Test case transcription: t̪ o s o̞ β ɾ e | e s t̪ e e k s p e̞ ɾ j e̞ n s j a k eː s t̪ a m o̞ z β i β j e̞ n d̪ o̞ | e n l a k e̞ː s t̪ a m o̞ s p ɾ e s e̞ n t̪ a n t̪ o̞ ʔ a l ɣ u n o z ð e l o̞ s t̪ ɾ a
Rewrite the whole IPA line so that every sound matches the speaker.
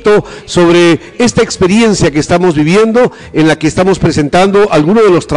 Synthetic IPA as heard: t̪ o s o̞ β ɾ e | e s t̪ a e k s p e̞ ɾ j e̞ n s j a k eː s t̪ a m o̞ z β i β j e̞ n d̪ o̞ | e n l a k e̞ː s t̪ a m o̞ s p ɾ e s e̞ n t̪ a n d̪ o̞ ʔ a l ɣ u n o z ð e l o̞ s t̪ ɾ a